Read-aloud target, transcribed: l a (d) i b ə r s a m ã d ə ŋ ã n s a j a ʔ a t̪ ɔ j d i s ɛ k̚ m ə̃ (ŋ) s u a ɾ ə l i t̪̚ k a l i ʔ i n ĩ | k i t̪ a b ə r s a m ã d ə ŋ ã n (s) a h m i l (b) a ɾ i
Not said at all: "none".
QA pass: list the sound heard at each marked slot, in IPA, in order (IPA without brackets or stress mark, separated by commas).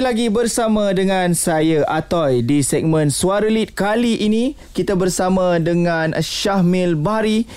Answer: ɡ, n, ʃ, b